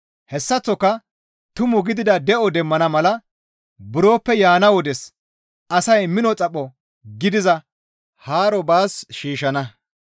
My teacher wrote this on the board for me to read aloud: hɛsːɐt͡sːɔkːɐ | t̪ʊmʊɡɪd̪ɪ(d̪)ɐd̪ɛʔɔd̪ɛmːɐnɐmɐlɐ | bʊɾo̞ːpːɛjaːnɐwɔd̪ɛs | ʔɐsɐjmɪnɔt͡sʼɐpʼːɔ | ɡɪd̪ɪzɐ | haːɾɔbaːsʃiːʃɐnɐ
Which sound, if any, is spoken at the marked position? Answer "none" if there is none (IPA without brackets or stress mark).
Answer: d̪